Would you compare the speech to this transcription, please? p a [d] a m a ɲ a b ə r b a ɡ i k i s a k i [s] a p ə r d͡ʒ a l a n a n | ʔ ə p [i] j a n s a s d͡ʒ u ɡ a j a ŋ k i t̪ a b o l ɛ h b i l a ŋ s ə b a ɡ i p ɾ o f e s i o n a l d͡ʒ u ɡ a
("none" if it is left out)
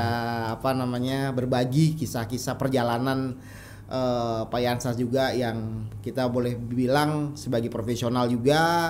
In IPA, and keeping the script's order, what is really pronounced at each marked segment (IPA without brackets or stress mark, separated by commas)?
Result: n, s, a